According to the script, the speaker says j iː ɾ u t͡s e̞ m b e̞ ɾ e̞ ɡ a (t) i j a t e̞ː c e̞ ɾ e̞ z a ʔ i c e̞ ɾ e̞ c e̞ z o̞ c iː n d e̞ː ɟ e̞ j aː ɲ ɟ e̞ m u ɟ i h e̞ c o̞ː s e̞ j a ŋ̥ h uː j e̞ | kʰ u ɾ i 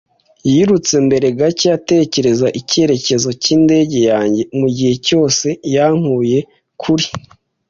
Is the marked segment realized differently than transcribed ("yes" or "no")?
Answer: yes